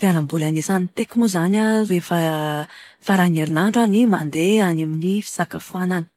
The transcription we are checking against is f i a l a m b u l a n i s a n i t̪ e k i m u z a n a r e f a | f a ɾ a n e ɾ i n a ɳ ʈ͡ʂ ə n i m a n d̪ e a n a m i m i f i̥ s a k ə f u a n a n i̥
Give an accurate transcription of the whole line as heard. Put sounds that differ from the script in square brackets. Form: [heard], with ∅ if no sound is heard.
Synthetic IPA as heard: f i a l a m b u l a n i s a n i t̪ e k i m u z a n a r e f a | f a ɾ a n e ɾ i n a ɳ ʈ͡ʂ [a] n i m a n d̪ e a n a m i [n] i f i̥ s a k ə f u a n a n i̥